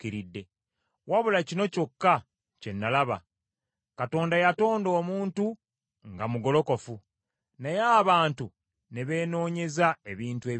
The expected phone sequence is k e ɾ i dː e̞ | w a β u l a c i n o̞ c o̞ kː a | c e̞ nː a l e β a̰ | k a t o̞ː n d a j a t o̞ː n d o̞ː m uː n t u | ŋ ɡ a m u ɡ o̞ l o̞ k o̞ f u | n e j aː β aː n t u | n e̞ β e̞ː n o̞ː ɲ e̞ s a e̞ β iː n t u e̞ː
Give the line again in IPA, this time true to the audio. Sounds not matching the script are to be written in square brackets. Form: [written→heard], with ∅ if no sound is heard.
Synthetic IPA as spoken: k [e→i] ɾ i dː e̞ | w a β u l a c i n o̞ c o̞ kː a | c e̞ nː a l [e→a] β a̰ | k a t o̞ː n d a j a t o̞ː n d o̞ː m uː n t u | ŋ ɡ a m u ɡ o̞ l o̞ k o̞ f u | n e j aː β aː n t u | n e̞ β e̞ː n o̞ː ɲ e̞ [s→z] a e̞ β iː n t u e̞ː